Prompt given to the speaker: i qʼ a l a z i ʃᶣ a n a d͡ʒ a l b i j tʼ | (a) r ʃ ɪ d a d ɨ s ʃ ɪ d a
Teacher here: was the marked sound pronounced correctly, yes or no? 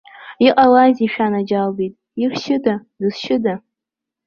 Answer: no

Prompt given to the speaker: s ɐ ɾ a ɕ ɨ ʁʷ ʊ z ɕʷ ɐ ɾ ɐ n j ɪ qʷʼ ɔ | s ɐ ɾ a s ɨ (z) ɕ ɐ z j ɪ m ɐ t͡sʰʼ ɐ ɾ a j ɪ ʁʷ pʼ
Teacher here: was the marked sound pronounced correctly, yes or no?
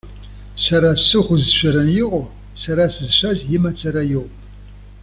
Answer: yes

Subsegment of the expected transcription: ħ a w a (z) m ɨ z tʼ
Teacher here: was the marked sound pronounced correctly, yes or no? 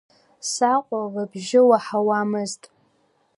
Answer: no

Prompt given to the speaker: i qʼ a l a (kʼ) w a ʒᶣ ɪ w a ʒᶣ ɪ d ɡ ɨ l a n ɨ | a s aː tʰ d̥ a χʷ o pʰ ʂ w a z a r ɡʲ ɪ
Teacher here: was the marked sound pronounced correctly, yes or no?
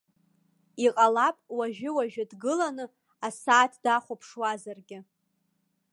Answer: no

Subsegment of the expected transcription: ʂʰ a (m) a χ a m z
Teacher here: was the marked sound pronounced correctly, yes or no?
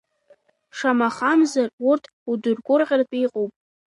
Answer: yes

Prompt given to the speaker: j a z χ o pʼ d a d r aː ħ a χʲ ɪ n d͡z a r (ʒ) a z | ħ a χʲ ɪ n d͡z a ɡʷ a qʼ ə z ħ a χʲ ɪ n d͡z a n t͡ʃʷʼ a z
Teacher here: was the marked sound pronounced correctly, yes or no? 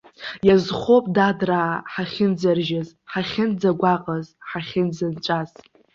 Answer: yes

